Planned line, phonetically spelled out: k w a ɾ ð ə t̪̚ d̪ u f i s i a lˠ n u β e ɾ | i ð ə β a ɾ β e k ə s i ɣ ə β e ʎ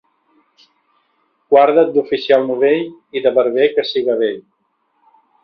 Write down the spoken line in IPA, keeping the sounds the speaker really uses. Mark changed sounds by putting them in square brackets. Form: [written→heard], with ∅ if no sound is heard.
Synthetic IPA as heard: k w a ɾ ð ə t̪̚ d̪ u f i s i a lˠ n u β e [ɾ→ʎ] | i ð ə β [a→ə] ɾ β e k ə s i ɣ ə β e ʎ